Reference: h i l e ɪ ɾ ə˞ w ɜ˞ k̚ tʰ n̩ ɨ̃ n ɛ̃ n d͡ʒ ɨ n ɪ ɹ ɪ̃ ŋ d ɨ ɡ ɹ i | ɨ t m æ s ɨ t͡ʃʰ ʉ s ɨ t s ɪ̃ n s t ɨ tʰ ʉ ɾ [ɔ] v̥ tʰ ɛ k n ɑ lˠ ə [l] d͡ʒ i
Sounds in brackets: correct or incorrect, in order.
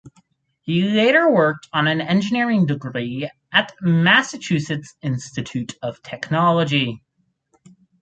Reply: incorrect: ʌ, incorrect: none

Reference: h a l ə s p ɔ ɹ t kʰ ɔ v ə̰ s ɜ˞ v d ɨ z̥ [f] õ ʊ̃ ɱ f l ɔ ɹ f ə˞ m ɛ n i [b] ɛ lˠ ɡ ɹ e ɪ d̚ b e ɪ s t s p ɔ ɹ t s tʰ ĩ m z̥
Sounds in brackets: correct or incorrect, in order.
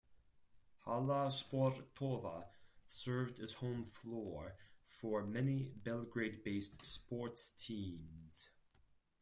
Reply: incorrect: h, correct

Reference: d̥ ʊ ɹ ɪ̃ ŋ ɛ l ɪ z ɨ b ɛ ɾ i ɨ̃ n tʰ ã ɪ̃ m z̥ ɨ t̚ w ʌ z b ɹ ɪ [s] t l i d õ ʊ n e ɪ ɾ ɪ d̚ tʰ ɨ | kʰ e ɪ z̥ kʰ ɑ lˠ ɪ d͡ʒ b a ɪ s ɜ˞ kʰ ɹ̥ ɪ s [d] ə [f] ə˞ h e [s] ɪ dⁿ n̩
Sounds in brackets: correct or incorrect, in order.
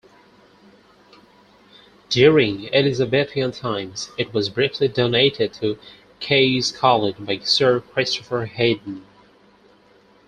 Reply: incorrect: f, incorrect: t, correct, incorrect: none

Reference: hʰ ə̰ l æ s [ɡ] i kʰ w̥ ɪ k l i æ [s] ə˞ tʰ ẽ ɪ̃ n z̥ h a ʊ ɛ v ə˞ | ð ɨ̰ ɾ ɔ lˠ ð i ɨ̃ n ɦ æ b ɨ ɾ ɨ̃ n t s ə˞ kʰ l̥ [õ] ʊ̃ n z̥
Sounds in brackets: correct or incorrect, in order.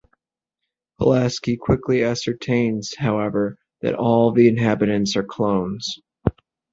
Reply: incorrect: k, correct, correct

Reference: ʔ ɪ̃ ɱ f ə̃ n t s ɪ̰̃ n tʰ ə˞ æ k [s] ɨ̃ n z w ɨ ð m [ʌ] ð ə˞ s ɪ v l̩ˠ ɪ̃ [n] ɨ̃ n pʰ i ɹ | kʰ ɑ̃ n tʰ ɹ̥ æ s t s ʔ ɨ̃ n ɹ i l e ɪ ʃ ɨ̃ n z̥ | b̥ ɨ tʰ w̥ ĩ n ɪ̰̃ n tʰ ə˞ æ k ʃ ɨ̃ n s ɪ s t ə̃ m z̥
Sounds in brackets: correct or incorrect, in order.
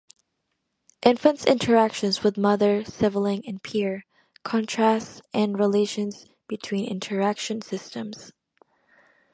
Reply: incorrect: ʃ, correct, incorrect: ŋ

